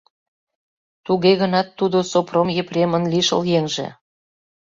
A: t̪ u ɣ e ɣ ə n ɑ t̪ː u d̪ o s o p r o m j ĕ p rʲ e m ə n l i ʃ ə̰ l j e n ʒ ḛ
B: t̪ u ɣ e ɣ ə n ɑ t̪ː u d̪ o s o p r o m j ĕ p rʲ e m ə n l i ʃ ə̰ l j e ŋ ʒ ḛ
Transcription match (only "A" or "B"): B